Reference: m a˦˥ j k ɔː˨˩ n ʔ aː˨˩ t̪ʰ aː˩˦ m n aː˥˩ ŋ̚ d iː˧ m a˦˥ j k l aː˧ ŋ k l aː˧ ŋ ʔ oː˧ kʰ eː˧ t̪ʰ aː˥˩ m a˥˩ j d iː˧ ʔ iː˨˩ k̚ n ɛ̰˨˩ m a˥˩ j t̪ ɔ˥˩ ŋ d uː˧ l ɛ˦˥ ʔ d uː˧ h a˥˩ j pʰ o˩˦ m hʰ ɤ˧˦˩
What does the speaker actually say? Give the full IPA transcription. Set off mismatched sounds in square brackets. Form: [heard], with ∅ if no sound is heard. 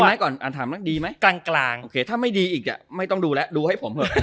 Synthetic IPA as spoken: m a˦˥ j k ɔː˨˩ n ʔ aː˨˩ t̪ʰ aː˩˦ m n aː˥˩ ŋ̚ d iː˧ m a˦˥ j k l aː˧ ŋ k l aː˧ ŋ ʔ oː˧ kʰ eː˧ t̪ʰ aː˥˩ m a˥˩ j d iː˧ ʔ iː˨˩ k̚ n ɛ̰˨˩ m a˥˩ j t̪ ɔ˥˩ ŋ d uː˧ l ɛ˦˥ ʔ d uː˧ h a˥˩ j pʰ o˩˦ m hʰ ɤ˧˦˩

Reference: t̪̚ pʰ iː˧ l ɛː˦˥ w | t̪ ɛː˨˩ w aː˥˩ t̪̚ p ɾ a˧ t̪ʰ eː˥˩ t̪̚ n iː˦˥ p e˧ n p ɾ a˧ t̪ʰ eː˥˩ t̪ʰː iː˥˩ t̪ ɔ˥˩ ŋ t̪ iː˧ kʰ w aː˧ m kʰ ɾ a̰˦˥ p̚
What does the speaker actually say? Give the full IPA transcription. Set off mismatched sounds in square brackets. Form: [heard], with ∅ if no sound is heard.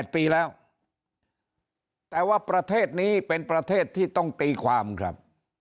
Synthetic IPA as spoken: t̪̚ [p] iː˧ l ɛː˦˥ w | t̪ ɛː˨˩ w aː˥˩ [∅] p ɾ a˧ t̪ʰ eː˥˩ t̪̚ n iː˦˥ p e˧ n p ɾ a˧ t̪ʰ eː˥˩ t̪ʰː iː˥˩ t̪ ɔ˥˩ ŋ t̪ iː˧ kʰ w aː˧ m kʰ ɾ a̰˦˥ p̚

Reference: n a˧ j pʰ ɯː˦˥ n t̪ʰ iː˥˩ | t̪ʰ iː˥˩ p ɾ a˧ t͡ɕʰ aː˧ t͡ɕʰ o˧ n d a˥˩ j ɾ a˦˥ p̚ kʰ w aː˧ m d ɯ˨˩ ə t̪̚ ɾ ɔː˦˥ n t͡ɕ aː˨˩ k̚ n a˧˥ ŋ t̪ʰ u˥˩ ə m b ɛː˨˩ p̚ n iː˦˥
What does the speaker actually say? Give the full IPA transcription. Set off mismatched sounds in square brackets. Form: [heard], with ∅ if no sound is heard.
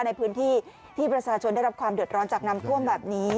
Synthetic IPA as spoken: n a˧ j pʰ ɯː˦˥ n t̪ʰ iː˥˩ | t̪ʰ iː˥˩ p ɾ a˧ t͡ɕʰ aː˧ t͡ɕʰ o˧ n d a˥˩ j ɾ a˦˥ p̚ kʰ w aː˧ m d ɯ˨˩ ə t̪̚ ɾ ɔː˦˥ n t͡ɕ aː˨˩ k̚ n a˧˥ [m] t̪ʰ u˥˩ ə m b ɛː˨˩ p̚ n iː˦˥

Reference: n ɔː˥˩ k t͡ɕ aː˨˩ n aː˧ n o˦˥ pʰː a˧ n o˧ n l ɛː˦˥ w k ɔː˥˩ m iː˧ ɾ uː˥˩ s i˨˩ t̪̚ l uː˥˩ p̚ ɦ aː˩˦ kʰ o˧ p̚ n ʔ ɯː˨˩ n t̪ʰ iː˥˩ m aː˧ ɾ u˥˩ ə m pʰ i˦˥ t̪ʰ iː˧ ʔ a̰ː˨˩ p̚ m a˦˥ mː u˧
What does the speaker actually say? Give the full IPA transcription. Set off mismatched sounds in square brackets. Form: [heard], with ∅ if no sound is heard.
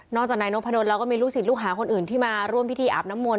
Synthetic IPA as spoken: n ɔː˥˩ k t͡ɕ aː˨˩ n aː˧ n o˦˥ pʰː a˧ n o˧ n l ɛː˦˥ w k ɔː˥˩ m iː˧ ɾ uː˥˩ s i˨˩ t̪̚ l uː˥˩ [k̚] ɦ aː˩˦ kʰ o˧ [∅] n ʔ ɯː˨˩ n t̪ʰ iː˥˩ m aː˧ ɾ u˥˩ ə m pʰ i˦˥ t̪ʰ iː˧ ʔ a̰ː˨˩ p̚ [n] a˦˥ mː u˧

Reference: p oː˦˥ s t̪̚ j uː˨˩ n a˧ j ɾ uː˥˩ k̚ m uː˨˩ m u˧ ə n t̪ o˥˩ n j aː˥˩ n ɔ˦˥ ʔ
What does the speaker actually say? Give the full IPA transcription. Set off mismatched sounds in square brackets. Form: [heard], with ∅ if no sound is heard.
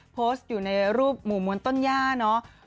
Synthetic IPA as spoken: [pʰ] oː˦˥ s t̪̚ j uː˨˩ n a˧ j ɾ uː˥˩ [p̚] m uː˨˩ m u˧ ə n t̪ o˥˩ n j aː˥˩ n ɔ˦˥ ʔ

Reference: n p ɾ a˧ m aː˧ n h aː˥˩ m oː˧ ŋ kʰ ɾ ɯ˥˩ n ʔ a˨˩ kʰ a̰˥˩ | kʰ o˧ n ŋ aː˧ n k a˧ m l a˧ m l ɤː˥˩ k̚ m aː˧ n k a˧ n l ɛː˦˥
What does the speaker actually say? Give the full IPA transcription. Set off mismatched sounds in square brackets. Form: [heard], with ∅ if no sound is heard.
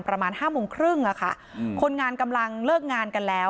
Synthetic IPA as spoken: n p ɾ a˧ m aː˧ n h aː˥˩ m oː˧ ŋ kʰ ɾ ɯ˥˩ [ŋ] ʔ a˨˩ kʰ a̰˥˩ | kʰ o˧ n ŋ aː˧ n k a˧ m l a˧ [ŋ] l ɤː˥˩ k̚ [ŋ] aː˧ n k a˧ n l ɛː˦˥

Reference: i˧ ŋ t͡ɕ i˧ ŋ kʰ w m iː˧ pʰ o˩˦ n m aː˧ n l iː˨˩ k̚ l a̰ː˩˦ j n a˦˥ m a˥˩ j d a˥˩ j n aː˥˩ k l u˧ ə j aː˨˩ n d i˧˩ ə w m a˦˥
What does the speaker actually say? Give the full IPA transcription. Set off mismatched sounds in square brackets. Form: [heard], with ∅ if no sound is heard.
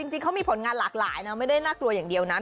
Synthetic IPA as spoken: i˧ ŋ t͡ɕ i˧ ŋ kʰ w m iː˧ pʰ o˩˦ n [ŋ] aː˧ n l [aː˨˩] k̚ l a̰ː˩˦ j n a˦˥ m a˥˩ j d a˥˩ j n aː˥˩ k l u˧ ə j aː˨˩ [ŋ] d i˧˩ ə w [n] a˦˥

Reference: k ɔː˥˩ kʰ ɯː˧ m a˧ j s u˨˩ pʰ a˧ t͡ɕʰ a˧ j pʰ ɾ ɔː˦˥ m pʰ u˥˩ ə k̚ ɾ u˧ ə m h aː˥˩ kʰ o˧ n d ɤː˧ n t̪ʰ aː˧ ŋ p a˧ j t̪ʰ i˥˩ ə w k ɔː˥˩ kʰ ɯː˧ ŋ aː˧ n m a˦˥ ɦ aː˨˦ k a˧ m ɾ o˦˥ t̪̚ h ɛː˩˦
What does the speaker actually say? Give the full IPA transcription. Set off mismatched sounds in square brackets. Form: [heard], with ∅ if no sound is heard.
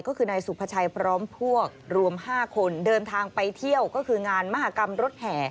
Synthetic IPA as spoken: k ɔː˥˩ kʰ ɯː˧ [n] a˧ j s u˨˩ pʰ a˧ t͡ɕʰ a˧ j pʰ ɾ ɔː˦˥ m pʰ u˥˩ ə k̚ ɾ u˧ ə m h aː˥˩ kʰ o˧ n d ɤː˧ n t̪ʰ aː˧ ŋ p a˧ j t̪ʰ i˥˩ ə w k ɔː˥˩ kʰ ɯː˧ ŋ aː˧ n m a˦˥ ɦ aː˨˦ k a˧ m ɾ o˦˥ t̪̚ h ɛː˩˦

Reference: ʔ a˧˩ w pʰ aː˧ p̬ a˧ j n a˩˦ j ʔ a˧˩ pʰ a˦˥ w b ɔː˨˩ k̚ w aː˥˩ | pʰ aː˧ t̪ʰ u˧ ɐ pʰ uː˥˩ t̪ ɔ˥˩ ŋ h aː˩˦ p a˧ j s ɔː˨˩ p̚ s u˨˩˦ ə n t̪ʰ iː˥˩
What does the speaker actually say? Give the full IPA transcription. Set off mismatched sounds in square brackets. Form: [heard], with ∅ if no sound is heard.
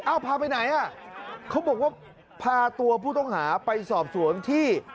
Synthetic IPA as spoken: ʔ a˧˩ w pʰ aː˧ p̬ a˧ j n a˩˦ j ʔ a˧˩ [kʰ] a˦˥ w b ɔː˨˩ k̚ w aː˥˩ | pʰ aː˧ [t̪] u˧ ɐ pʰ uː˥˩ t̪ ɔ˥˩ ŋ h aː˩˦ p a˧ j s ɔː˨˩ p̚ s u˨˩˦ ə n t̪ʰ iː˥˩

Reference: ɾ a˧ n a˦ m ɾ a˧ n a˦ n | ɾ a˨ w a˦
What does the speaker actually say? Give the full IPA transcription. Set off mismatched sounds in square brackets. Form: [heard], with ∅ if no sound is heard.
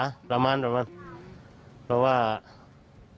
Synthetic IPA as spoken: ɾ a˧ [m] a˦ [n] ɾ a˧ [m] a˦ n | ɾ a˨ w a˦

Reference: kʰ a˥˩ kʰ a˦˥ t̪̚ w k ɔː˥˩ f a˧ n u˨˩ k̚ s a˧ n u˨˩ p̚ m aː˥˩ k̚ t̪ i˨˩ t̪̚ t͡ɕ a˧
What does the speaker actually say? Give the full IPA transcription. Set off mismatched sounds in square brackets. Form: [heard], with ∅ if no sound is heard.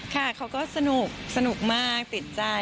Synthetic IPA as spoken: kʰ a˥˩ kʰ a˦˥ [∅] w k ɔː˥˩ [s] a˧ n u˨˩ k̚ s a˧ n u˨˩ [k̚] m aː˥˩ k̚ t̪ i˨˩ t̪̚ t͡ɕ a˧

